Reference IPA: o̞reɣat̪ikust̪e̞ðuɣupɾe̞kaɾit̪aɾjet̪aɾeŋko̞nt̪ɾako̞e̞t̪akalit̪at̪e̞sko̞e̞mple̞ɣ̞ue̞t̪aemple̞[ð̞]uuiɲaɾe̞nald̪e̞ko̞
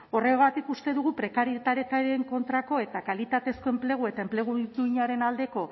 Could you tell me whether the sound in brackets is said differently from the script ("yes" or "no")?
yes